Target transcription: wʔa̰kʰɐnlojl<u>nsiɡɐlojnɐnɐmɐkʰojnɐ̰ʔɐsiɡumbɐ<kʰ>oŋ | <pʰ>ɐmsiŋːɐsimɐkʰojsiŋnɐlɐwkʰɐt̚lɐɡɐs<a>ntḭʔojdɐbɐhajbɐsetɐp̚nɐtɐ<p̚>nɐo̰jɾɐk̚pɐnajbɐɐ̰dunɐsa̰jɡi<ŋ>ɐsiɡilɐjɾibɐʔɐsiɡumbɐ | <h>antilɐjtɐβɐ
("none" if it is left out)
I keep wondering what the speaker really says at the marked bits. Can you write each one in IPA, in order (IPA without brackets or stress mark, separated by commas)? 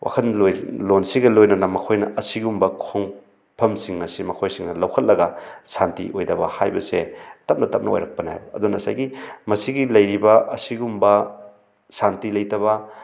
o, kʰ, pʰ, a, p̚, m, s